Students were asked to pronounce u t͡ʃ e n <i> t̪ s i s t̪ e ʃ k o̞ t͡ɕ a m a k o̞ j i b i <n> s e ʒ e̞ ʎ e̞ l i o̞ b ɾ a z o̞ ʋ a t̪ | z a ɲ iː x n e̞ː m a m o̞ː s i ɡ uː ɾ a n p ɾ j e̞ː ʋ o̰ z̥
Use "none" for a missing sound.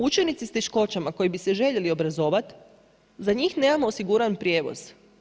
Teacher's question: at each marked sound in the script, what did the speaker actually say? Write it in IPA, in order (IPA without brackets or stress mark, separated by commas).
i, none